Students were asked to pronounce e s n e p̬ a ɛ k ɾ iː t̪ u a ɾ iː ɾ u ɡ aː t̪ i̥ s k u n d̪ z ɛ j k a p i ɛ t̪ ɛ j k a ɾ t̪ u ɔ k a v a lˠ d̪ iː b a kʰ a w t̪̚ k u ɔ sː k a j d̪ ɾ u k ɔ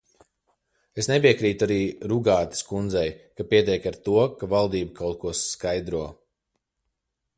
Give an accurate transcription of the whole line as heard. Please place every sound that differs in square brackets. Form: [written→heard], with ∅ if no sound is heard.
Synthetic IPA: e s n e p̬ [a→i] ɛ k ɾ iː t̪ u a ɾ iː ɾ u ɡ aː t̪ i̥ s k u n d̪ z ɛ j k a p i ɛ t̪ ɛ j k a ɾ t̪ u ɔ k a v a lˠ d̪ iː b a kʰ a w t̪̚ k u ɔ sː k a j d̪ ɾ u [k→∅] ɔ